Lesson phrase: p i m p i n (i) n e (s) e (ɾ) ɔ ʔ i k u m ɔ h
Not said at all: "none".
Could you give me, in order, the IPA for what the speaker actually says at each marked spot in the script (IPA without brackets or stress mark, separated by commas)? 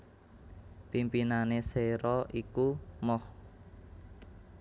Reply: a, s, ɾ